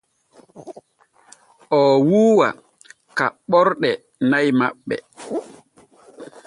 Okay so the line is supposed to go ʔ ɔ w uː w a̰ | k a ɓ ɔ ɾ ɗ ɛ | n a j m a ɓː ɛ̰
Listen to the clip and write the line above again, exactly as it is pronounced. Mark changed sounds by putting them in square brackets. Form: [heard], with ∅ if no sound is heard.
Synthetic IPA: ʔ ɔ w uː w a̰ | k a ɓ ɔ ɾ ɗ ɛ | n a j m a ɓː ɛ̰